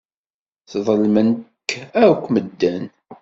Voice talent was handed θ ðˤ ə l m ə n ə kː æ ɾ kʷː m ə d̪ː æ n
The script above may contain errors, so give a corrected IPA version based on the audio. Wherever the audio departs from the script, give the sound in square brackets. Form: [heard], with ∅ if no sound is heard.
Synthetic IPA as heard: θ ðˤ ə l m ə n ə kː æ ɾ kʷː m ə d̪ː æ n